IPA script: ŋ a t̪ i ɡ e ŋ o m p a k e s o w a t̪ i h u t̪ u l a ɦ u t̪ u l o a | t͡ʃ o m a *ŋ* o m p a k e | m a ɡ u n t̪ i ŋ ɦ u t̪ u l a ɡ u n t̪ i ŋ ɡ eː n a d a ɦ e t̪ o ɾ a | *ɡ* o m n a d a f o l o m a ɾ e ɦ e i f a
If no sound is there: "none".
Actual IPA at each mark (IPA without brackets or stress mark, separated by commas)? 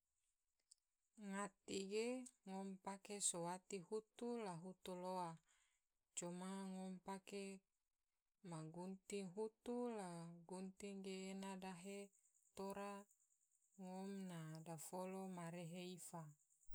ŋ, ŋ